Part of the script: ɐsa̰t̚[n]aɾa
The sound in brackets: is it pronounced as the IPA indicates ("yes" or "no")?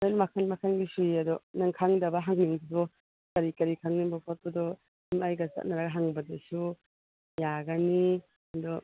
yes